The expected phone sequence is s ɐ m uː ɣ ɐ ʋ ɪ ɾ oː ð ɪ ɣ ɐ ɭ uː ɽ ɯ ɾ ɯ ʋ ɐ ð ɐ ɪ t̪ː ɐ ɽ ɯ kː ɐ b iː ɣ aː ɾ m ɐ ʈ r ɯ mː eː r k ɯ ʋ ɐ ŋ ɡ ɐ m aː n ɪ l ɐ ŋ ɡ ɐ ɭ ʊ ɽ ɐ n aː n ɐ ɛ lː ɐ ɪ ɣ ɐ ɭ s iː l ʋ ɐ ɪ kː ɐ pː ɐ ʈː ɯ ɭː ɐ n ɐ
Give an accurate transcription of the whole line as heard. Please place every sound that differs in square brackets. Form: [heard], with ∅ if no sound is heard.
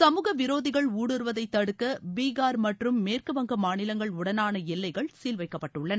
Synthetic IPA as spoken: s ɐ m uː ɣ ɐ ʋ ɪ ɾ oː ð ɪ ɣ ɐ ɭ uː ɽ ɯ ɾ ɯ ʋ ɐ ð ɐ ɪ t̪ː ɐ ɽ ɯ kː ɐ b iː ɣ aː ɾ m ɐ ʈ r ɯ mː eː r k ɯ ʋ ɐ ŋ ɡ ɐ m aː n ɪ l ɐ ŋ ɡ ɐ ɭ ʊ ɽ ɐ n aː n ɐ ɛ lː ɐ ɪ ɣ ɐ ɭ s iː l ʋ ɐ ɪ kː ɐ pː ɐ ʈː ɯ ɭː ɐ n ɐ